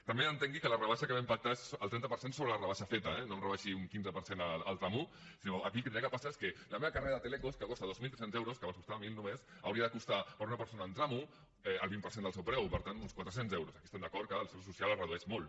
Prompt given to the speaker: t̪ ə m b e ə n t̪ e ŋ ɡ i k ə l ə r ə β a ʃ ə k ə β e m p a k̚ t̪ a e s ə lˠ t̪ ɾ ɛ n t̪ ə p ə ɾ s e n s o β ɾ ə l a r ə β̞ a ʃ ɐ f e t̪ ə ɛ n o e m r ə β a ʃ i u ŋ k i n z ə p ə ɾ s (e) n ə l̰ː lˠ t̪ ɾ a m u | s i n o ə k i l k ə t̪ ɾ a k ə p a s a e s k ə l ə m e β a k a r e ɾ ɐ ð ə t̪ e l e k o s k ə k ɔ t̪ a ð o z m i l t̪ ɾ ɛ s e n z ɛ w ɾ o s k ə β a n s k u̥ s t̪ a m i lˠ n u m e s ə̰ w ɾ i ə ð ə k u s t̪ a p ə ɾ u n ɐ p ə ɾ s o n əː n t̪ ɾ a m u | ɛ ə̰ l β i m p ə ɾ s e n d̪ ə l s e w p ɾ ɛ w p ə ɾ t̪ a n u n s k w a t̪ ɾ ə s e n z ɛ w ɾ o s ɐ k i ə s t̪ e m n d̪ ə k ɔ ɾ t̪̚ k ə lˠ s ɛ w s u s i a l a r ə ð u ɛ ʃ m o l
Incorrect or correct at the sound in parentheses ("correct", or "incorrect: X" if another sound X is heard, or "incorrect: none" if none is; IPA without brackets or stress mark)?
correct